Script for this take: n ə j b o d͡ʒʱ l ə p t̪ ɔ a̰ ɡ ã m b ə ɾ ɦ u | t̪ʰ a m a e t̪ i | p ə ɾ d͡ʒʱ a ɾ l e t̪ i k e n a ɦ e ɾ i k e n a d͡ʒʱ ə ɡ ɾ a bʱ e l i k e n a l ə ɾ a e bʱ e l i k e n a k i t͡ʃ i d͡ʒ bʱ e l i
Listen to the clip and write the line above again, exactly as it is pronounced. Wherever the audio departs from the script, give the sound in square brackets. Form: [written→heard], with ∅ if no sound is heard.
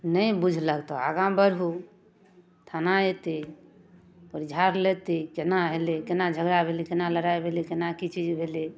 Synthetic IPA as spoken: n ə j b [o→u] d͡ʒʱ l ə [p→k] t̪ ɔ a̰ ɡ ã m b ə ɾ ɦ u | t̪ʰ a [m→n] a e t̪ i | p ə ɾ d͡ʒʱ a ɾ l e t̪ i k e n a ɦ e [ɾ→l] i k e n a d͡ʒʱ ə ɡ ɾ a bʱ e l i k e n a l ə ɾ a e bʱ e l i k e n a k i t͡ʃ i d͡ʒ bʱ e l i